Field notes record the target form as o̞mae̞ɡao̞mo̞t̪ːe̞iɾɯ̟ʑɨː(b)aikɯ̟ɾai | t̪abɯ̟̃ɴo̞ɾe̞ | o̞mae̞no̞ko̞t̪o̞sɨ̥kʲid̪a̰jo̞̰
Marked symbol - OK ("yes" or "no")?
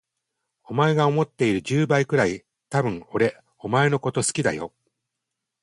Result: yes